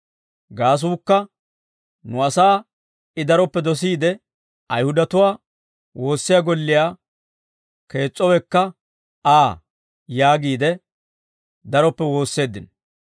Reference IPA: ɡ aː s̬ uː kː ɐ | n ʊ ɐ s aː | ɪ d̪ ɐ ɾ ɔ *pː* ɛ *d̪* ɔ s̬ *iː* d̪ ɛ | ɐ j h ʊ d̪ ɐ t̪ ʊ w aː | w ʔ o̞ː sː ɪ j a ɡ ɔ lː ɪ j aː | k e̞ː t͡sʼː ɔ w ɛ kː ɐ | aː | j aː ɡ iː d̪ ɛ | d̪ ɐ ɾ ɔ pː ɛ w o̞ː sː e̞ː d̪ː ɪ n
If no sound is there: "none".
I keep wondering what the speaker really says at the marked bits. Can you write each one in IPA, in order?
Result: pː, d̪, iː

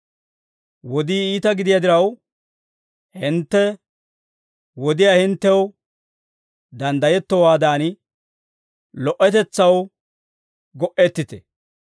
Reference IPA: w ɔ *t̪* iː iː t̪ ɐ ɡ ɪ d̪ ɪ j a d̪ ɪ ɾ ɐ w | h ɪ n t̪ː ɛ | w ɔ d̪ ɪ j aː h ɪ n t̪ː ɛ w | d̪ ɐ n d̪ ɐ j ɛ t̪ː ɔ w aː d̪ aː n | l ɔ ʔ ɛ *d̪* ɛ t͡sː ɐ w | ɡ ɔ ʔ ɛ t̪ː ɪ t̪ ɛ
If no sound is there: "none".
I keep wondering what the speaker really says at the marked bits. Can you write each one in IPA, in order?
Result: d̪, t̪

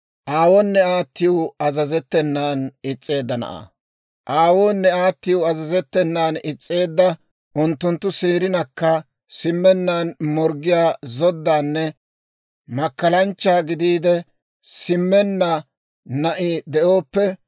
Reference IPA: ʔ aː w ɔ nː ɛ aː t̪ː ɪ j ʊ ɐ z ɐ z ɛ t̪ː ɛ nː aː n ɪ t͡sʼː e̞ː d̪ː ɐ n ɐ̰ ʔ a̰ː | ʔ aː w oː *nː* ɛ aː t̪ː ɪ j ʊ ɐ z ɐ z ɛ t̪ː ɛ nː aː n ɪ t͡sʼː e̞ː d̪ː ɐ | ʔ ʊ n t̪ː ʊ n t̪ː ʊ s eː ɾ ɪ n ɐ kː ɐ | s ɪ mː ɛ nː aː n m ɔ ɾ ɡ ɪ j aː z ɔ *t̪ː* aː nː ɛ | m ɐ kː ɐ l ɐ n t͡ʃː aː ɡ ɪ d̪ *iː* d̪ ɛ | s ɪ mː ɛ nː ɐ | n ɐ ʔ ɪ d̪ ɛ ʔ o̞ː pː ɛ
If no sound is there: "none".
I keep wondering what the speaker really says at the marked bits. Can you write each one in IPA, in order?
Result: nː, d̪ː, iː

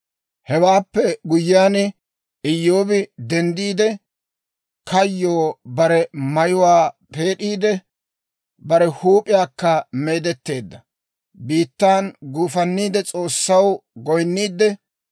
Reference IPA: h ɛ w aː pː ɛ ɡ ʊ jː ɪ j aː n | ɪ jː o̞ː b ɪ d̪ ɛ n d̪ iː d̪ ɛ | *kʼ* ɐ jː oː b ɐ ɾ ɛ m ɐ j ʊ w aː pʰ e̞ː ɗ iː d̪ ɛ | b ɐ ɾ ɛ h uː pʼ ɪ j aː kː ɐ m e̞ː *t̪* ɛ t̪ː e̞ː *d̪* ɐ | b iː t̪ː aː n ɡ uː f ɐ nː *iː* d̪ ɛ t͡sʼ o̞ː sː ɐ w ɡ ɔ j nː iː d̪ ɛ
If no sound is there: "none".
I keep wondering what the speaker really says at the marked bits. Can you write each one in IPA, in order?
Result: k, d̪, d̪ː, iː

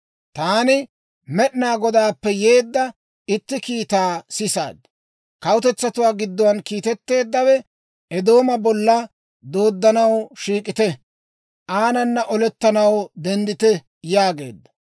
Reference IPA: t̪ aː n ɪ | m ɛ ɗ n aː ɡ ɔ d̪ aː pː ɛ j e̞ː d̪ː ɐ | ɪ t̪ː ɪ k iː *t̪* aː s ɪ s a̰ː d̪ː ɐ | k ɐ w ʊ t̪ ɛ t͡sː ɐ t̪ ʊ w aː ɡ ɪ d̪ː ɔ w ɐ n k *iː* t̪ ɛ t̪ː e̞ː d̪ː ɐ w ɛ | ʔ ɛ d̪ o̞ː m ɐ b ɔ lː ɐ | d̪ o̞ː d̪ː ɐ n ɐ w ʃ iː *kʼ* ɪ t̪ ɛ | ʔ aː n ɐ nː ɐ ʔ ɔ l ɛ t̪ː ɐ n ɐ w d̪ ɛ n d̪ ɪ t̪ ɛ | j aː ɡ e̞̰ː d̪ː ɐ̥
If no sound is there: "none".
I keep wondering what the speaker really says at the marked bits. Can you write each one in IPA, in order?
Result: t̪, iː, kʼ

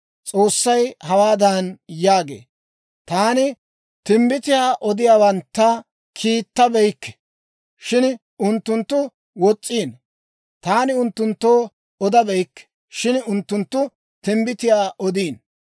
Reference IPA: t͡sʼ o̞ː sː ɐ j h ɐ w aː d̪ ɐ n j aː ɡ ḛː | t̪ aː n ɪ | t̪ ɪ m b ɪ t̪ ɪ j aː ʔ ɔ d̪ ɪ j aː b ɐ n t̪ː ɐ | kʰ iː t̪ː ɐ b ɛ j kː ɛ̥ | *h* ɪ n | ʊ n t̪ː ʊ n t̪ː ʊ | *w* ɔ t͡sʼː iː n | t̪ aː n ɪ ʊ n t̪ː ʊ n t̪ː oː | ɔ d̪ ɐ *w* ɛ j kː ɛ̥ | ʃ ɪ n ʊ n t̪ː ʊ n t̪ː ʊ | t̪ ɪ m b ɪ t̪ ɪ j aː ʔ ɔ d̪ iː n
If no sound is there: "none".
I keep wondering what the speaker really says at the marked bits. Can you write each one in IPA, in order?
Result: ʃ, w, b

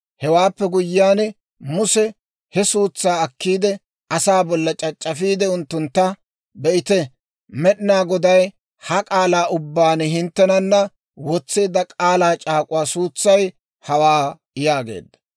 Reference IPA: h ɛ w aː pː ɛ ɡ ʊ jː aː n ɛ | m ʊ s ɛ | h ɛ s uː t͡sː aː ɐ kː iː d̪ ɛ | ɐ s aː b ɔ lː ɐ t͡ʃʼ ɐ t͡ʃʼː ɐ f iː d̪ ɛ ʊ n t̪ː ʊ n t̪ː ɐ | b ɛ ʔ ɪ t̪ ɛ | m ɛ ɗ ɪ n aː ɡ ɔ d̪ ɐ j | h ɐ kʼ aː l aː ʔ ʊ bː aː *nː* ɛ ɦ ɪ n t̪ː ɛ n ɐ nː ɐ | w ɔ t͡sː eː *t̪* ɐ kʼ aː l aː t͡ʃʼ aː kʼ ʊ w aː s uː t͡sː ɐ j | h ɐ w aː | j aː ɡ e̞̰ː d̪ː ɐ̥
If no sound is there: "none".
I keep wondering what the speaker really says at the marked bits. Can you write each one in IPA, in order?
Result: n, d̪

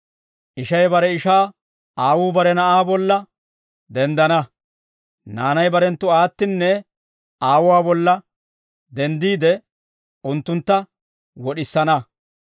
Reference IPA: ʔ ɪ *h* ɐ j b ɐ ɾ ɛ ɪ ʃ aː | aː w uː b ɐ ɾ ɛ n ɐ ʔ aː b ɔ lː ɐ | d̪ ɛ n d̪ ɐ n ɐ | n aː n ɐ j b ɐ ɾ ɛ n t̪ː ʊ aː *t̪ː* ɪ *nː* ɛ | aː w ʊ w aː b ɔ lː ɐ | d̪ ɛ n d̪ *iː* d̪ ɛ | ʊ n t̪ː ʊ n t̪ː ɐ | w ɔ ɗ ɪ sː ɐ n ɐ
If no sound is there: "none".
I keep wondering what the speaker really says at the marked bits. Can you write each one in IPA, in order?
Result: ʃ, t̪ː, nː, iː

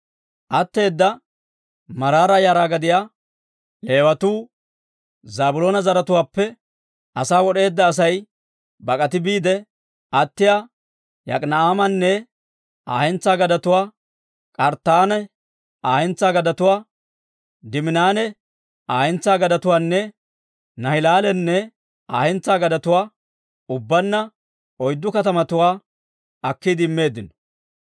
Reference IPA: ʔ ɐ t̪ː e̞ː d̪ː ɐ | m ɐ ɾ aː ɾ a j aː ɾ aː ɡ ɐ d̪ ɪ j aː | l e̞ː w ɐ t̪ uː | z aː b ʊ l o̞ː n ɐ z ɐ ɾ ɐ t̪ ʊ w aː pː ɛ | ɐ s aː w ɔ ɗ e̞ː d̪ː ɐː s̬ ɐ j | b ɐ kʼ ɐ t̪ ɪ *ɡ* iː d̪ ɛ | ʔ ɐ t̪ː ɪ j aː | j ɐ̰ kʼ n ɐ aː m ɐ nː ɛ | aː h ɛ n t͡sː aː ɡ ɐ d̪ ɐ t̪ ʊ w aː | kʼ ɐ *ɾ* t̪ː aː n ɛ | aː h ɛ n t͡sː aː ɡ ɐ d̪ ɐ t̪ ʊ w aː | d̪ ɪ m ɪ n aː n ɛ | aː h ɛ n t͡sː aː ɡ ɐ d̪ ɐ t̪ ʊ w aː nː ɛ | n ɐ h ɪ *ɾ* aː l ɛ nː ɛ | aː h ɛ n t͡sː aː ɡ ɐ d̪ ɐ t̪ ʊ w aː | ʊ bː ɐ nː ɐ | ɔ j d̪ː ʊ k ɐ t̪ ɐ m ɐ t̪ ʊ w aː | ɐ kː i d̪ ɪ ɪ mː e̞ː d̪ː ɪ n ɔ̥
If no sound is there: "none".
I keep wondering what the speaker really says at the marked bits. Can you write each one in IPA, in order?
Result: b, ɾ, l

